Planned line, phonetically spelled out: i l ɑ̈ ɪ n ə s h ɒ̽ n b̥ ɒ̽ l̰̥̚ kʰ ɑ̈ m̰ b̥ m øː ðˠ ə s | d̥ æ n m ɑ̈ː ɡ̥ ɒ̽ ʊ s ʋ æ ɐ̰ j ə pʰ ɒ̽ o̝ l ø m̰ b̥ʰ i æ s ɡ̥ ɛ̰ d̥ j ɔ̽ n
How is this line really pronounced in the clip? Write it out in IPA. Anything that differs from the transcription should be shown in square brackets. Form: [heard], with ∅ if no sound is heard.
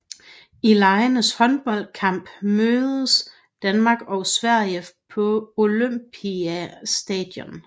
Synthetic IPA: i l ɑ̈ ɪ n ə s h ɒ̽ n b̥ ɒ̽ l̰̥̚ kʰ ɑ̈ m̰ b̥ m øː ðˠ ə s | d̥ æ n m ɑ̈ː ɡ̥ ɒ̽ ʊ s ʋ æ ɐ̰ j ə pʰ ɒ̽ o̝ l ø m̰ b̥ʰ i æ s [d̥] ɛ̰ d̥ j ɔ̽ n

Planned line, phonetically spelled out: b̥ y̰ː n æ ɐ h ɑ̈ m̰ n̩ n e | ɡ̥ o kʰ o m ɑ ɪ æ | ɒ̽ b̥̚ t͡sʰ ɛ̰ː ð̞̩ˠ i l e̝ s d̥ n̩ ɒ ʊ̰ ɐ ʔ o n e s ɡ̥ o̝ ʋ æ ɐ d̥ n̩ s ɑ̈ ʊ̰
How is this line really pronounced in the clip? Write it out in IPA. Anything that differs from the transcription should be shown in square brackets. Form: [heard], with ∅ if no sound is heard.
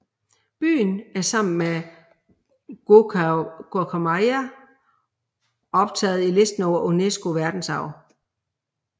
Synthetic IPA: b̥ y̰ː n æ ɐ [s] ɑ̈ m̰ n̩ [m] e | ɡ̥ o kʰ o m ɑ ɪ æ | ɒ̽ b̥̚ t͡sʰ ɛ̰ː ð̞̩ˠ i l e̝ s d̥ n̩ ɒ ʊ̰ ɐ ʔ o n e s ɡ̥ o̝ ʋ æ ɐ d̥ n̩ s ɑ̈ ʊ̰

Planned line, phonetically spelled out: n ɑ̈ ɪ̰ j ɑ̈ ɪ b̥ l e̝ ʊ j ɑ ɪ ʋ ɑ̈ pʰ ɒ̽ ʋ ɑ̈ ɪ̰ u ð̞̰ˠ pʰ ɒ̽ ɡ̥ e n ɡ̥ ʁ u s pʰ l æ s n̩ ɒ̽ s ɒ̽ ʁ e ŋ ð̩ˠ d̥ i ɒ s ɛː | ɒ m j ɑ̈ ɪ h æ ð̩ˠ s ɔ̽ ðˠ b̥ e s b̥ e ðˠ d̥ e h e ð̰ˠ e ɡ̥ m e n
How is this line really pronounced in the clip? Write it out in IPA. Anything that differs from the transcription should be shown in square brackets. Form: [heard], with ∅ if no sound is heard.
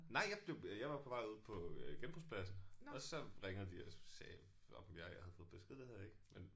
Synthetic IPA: n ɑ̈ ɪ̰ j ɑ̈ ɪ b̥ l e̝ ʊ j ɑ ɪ ʋ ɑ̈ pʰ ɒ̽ ʋ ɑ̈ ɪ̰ u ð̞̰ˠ pʰ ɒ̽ ɡ̥ e n [b̥] ʁ u s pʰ l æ s n̩ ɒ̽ s ɒ̽ ʁ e ŋ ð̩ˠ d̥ i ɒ s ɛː | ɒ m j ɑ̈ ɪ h æ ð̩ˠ [f] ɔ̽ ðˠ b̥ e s [ɡ̥] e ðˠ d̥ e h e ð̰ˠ e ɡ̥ m e n

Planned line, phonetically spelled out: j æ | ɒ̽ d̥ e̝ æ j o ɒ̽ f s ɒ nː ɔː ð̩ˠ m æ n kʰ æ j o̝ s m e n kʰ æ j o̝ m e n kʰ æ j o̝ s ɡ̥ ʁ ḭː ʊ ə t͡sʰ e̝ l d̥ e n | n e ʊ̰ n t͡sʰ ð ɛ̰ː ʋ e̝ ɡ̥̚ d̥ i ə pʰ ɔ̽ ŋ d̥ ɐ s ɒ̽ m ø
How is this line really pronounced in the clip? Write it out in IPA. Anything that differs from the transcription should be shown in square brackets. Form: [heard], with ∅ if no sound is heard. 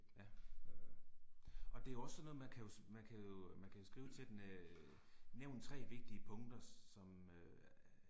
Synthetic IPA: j æ | ɒ̽ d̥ e̝ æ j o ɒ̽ [s] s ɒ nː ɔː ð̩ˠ m æ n kʰ æ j o̝ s m [æ] n kʰ æ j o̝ m [æ] n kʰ æ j o̝ s ɡ̥ ʁ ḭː ʊ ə t͡sʰ e̝ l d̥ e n | n e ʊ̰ n t͡sʰ [ʁ] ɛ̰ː ʋ e̝ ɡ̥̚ d̥ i ə pʰ ɔ̽ ŋ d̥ ɐ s ɒ̽ m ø

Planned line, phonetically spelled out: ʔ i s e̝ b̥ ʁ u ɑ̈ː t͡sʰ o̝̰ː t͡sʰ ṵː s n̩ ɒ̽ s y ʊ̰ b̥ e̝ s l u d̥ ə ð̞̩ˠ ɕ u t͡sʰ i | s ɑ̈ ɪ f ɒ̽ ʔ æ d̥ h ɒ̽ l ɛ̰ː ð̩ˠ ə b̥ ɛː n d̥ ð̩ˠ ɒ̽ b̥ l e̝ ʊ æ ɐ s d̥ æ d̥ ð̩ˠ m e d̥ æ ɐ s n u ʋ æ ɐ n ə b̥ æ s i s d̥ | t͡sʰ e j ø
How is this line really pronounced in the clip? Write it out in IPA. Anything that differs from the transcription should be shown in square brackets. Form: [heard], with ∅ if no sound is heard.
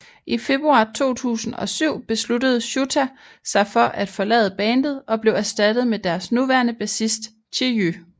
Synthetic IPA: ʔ i [f] e̝ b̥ ʁ u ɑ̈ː t͡sʰ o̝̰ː t͡sʰ ṵː s n̩ ɒ̽ s y ʊ̰ b̥ e̝ s l u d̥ ə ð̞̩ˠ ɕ u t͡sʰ [æ] | s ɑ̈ ɪ f ɒ̽ ʔ æ d̥ [f] ɒ̽ l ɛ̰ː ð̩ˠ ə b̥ ɛː n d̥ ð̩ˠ ɒ̽ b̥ l e̝ ʊ æ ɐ s d̥ æ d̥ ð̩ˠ m e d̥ æ ɐ s n u ʋ æ ɐ n ə b̥ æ s i s d̥ | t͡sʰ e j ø

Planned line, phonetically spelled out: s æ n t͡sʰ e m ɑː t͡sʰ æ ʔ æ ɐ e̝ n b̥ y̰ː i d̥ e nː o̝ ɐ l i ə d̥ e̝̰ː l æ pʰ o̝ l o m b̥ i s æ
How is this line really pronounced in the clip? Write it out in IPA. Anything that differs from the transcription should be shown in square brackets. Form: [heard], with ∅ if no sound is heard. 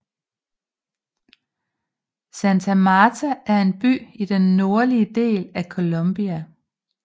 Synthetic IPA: s æ n t͡sʰ [æ] m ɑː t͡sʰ æ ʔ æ ɐ e̝ n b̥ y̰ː i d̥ e nː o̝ ɐ l i ə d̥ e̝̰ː l æ [kʰ] o̝ l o m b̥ i [∅] æ

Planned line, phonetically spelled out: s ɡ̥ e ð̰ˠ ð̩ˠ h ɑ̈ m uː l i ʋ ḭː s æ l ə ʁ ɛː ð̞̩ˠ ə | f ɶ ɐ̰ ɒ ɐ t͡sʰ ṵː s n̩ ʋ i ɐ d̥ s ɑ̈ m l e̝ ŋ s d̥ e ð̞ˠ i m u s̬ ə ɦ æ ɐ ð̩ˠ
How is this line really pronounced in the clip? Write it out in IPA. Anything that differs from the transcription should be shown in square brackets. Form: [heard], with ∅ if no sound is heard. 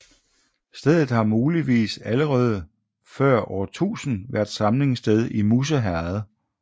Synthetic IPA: s [d̥] e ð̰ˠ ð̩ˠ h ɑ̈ m uː l i ʋ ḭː s æ l ə ʁ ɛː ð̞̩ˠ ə | f ɶ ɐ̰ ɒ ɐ t͡sʰ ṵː s n̩ ʋ [æ] ɐ d̥ s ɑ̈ m l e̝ ŋ s d̥ e ð̞ˠ i m u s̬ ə ɦ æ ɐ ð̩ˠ

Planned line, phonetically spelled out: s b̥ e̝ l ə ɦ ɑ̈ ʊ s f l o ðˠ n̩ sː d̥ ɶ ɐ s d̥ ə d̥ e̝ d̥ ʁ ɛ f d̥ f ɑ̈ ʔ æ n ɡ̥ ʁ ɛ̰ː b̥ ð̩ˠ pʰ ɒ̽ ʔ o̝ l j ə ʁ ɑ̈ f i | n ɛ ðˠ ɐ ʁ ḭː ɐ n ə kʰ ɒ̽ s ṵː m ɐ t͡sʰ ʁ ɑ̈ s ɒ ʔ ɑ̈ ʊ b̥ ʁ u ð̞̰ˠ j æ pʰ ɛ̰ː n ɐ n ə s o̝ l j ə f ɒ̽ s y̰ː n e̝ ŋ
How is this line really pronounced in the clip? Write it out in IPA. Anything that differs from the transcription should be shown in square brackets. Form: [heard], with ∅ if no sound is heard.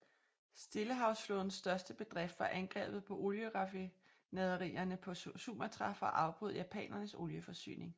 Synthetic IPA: s [d̥] e̝ l ə ɦ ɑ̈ ʊ s f l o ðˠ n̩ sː d̥ ɶ ɐ s d̥ ə [b̥] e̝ d̥ ʁ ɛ f d̥ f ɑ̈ ʔ æ n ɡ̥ ʁ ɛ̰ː b̥ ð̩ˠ pʰ ɒ̽ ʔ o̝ l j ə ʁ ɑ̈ f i | n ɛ ðˠ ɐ ʁ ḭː ɐ n ə [pʰ] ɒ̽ s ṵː m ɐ t͡sʰ ʁ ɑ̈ [f] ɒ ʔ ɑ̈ ʊ b̥ ʁ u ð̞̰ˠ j æ pʰ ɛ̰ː n ɐ n ə s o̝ l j ə f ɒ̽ s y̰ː n e̝ ŋ

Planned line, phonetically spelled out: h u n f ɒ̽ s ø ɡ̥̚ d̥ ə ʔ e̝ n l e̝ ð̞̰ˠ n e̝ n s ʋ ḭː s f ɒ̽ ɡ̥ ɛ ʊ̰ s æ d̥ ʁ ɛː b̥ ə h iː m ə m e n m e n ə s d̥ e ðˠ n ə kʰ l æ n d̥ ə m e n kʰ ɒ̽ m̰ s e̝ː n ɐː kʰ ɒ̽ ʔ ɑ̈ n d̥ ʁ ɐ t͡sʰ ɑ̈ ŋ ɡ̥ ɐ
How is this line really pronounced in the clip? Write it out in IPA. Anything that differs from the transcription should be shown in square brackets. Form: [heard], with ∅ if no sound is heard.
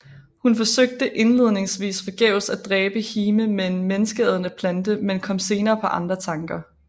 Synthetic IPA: h u n f ɒ̽ s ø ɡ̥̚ d̥ ə ʔ e̝ n l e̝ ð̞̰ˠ n e̝ [ŋ] s ʋ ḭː s f ɒ̽ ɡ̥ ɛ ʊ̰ s æ d̥ ʁ ɛː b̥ ə h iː m ə m e n m e n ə s [ɡ̥] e ðˠ n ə [pʰ] l æ n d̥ ə m e n kʰ ɒ̽ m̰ s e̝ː n ɐː [pʰ] ɒ̽ ʔ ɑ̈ n d̥ ʁ ɐ t͡sʰ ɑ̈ ŋ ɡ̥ ɐ

